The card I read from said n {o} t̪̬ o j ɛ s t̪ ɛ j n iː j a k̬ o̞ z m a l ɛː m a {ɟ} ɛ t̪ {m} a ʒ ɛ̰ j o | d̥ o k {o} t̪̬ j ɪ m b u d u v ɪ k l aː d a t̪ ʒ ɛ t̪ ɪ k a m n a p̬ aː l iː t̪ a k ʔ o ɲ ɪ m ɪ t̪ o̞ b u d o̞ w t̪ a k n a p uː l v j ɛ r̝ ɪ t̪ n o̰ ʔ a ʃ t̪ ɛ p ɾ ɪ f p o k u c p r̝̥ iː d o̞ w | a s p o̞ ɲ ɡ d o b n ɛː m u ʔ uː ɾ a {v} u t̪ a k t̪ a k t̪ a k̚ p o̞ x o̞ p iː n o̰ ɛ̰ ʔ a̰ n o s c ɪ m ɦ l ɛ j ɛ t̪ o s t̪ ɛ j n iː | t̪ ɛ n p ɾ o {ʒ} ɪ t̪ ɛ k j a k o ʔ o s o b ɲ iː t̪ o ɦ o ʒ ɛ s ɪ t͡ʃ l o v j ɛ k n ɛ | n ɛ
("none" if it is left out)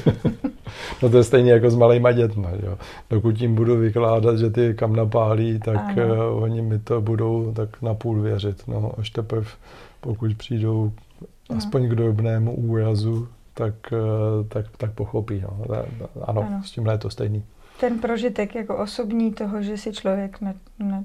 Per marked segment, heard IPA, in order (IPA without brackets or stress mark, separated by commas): o, ɟ, m, u, z, ʒ